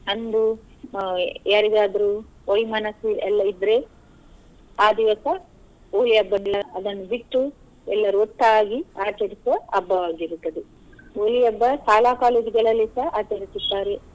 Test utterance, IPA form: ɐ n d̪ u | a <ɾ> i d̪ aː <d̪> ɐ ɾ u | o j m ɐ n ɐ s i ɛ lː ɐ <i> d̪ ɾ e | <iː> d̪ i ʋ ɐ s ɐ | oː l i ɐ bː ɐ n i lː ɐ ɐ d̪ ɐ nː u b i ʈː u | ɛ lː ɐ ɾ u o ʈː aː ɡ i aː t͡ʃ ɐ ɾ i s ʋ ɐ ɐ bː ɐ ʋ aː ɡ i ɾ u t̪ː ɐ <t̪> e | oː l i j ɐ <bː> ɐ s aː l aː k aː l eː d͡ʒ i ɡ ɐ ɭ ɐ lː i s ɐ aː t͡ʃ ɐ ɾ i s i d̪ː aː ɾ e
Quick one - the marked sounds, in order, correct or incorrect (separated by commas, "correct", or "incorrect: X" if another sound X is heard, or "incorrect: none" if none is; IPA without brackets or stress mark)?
correct, correct, correct, incorrect: aː, incorrect: d̪, correct